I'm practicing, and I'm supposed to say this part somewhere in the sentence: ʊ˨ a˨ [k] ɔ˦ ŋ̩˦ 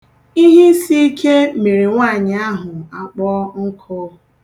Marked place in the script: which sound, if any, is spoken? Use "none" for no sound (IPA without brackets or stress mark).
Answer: k͡p